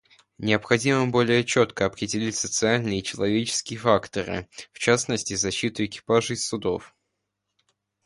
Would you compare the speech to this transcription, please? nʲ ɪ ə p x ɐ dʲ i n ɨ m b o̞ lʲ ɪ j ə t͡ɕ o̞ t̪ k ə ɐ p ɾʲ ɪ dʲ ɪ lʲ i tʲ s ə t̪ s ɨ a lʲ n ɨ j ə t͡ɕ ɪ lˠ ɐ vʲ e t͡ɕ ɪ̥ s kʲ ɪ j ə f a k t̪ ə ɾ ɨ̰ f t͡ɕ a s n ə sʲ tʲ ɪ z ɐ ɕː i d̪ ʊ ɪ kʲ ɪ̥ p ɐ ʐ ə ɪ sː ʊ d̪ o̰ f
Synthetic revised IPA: nʲ ɪ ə p x ɐ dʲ i m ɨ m b o̞ lʲ ɪ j ə t͡ɕ o̞ t̪ k ə ɐ p ɾʲ ɪ dʲ ɪ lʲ i tʲ s ə t̪ s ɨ a lʲ n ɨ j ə t͡ɕ ɪ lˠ ɐ vʲ e t͡ɕ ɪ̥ s kʲ ɪ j ə f a k t̪ ə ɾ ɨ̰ f t͡ɕ a s n ə sʲ tʲ ɪ z ɐ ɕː i t̪ ʊ ɪ kʲ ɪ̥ p a ʐ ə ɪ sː ʊ d̪ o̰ f